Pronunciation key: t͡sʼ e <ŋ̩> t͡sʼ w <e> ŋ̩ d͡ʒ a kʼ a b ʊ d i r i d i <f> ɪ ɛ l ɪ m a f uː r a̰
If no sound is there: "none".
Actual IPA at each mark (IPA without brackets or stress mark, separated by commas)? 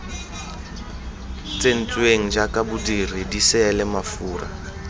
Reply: n̩, e, s